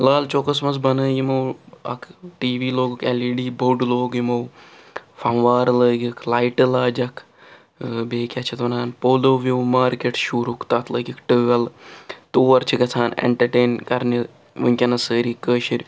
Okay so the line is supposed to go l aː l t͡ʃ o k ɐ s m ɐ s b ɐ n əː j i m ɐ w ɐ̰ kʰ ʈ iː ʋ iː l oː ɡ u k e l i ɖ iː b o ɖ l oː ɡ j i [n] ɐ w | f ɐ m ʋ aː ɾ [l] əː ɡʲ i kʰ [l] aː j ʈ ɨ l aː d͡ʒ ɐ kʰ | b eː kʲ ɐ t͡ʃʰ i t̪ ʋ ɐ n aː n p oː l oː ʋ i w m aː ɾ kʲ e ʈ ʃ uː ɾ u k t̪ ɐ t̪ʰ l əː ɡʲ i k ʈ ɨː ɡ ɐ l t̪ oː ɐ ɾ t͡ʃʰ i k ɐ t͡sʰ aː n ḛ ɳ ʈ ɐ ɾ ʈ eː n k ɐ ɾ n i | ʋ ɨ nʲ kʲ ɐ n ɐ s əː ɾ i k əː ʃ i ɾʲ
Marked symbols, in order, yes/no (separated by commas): no, yes, yes